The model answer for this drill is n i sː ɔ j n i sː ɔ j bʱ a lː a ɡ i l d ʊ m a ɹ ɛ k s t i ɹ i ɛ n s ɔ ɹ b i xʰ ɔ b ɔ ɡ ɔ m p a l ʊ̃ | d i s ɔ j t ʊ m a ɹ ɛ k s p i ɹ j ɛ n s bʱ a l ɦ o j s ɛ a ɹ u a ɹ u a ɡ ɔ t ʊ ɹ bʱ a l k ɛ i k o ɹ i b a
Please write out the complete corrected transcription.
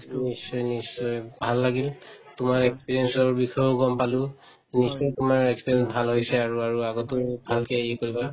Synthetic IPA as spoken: n i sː ɔ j n i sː ɔ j bʱ a lː a ɡ i l t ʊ m a ɹ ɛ k s p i ɹ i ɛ n s ɔ ɹ b i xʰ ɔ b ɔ ɡ ɔ m p a l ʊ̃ | n i s ɔ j t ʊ m a ɹ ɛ k s p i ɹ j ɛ n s bʱ a l ɦ o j s ɛ a ɹ u a ɹ u a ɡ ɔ t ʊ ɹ bʱ a l k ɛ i k o ɹ i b a

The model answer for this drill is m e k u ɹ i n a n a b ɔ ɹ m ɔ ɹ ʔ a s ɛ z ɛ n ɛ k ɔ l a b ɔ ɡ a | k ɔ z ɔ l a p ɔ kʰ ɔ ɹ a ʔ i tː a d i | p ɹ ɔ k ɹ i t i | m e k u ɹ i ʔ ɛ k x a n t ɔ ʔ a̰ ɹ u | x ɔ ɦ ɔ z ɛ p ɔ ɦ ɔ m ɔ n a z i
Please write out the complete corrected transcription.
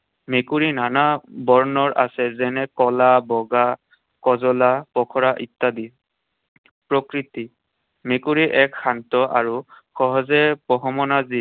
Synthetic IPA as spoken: m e k u ɹ i n a n a b ɔ ɹ n ɔ ɹ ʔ a s ɛ z ɛ n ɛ k ɔ l a b ɔ ɡ a | k ɔ z ɔ l a p ɔ kʰ ɔ ɹ a ʔ i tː a d i | p ɹ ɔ k ɹ i t i | m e k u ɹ i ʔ ɛ k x a n t ɔ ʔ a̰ ɹ u | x ɔ ɦ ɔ z ɛ p ɔ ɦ ɔ m ɔ n a z i

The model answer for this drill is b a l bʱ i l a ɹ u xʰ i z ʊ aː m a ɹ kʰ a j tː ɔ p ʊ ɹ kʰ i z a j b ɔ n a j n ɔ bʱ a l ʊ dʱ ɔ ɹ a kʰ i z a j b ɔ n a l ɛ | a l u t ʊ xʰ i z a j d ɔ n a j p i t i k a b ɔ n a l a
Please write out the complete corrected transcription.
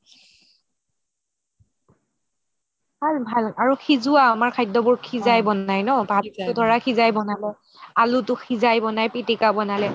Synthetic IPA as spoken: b a l bʱ a l a ɹ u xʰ i z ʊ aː m a ɹ kʰ a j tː ɔ b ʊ ɹ kʰ i z a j b ɔ n a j n ɔ bʱ a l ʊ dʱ ɔ ɹ a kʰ i z a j b ɔ n a l ɛ | a l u t ʊ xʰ i z a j b ɔ n a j p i t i k a b ɔ n a l ɛ

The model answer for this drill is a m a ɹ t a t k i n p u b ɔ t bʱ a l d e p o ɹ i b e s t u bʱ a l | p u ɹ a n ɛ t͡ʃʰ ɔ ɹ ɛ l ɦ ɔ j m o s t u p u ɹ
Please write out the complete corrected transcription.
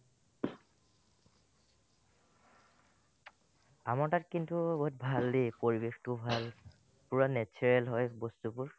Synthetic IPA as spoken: a m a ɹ t a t k i n t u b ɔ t bʱ a l d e p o ɹ i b e x t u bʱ a l | p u ɹ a n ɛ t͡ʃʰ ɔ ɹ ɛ l ɦ ɔ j b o s t u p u ɹ

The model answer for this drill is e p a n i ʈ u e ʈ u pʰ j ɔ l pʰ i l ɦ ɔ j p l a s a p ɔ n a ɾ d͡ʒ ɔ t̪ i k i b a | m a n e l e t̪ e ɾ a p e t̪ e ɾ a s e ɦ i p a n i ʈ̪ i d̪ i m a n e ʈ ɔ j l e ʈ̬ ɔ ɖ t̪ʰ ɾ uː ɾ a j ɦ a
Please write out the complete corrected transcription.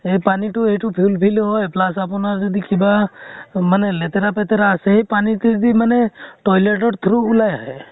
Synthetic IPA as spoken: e p a n i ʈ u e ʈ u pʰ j u l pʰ i l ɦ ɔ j p l a s a p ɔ n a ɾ d͡ʒ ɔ d̪ i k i b a | m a n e l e t̪ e ɾ a p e t̪ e ɾ a s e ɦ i p a n i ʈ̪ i d̪ i m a n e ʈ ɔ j l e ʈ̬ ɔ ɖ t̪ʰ ɾ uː l a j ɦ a

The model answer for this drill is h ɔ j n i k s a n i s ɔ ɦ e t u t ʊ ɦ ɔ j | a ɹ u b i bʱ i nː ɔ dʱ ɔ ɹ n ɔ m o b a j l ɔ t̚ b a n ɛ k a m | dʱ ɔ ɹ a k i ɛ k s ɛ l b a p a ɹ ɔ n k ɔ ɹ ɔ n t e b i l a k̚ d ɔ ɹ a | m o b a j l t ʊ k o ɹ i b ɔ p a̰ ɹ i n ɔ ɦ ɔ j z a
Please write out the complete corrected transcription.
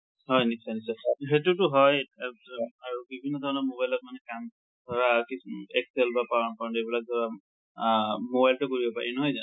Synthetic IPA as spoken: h ɔ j n i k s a n i s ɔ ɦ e t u t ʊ ɦ ɔ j | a ɹ u b i bʱ i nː ɔ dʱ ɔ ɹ n ɔ m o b a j l ɔ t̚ m a n ɛ k a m | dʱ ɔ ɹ a k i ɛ k s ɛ l b a p a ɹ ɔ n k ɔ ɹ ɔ n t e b i l a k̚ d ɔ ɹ a | m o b a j l t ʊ k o ɹ i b ɔ p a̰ ɹ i n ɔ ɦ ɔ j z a

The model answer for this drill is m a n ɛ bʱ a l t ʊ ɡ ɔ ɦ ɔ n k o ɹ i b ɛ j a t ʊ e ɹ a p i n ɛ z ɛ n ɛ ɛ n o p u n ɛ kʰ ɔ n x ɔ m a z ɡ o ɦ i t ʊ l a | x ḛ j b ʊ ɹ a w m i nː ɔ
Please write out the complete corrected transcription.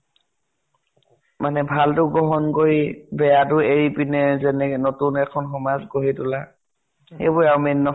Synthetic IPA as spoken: m a n ɛ bʱ a l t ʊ ɡ ɔ ɦ ɔ n k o ɹ i b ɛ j a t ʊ e ɹ i p i n ɛ z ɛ n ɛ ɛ n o t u n ɛ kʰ ɔ n x ɔ m a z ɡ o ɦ i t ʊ l a | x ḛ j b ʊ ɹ a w m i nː ɔ

